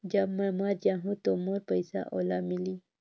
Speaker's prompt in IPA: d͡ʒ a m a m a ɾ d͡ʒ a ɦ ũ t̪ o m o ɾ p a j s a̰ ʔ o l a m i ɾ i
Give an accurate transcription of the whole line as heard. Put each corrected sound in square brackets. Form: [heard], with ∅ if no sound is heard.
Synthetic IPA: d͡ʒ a m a m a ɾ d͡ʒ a ɦ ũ t̪ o m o ɾ p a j s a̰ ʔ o l a m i [l] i